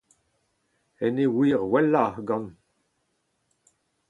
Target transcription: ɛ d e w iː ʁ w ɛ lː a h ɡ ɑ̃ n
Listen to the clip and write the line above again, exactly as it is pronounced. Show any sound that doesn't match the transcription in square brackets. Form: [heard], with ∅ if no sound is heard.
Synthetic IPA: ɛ [n] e w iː ʁ w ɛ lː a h ɡ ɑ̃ n